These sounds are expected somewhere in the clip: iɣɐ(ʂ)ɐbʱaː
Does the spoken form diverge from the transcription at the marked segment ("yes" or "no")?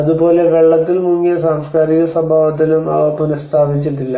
yes